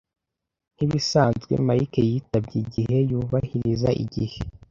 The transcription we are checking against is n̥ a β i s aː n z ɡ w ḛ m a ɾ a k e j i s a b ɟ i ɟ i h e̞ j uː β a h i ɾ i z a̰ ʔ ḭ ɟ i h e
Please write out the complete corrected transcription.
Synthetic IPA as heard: n̥ i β i s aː n z ɡ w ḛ m a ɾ i k e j i t a b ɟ i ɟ i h e̞ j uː β a h i ɾ i z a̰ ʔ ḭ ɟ i h e